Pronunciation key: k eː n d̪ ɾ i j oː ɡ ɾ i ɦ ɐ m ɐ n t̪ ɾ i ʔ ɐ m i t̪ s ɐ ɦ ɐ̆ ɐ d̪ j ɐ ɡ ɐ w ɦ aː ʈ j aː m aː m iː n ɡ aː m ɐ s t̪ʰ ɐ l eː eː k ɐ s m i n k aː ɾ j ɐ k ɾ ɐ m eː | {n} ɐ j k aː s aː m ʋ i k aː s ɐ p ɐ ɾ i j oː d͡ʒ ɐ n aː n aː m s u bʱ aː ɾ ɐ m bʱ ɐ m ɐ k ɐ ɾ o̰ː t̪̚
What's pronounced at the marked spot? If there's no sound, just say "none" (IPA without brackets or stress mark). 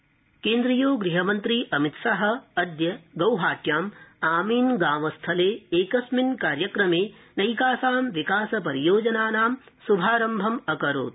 n